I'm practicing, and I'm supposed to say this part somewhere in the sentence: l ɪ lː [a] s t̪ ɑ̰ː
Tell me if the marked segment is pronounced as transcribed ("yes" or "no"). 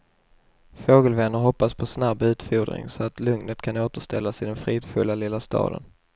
yes